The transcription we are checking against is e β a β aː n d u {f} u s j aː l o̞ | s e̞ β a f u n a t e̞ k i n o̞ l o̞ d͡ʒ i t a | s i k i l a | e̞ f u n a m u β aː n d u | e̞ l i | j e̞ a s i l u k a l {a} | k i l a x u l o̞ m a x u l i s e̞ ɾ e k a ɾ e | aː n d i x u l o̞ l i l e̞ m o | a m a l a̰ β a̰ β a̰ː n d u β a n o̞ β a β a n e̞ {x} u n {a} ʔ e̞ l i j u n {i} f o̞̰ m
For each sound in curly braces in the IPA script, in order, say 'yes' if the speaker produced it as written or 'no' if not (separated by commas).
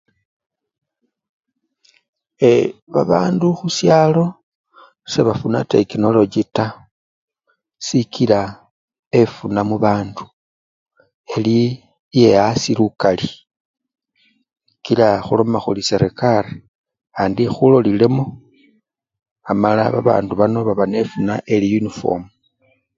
no, no, no, yes, yes